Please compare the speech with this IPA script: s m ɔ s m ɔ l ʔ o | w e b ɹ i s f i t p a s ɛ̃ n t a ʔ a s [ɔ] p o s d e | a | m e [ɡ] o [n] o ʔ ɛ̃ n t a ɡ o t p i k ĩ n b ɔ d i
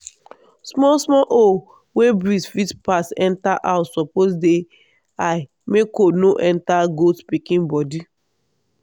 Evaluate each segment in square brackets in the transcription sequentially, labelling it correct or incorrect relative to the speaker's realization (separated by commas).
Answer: correct, incorrect, correct